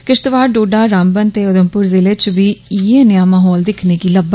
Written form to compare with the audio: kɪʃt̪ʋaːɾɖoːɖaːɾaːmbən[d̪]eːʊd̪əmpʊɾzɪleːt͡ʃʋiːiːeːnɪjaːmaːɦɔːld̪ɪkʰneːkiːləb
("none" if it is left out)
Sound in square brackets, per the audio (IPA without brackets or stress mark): t̪